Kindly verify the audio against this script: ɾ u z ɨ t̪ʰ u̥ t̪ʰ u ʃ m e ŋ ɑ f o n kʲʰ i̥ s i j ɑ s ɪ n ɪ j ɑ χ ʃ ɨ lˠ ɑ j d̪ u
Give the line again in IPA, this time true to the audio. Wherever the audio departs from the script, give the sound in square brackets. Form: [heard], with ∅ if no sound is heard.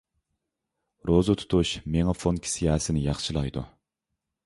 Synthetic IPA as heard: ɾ [o] z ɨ t̪ʰ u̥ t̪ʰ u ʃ m e ŋ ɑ f o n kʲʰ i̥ s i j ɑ s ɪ n ɪ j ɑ χ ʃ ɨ lˠ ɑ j d̪ u